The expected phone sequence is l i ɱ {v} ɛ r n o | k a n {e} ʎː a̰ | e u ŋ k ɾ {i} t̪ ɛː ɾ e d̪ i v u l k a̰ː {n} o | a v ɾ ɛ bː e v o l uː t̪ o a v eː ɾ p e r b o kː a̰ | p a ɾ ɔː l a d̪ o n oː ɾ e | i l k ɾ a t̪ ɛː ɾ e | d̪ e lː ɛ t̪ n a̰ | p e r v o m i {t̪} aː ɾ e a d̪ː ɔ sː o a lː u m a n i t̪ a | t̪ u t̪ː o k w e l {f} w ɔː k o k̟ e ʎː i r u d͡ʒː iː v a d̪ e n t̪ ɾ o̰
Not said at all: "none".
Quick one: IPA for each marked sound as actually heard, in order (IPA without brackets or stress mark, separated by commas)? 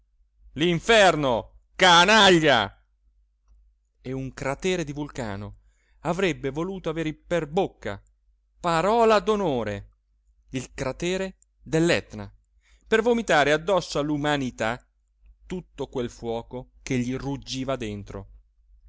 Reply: f, a, a, n, t̪, f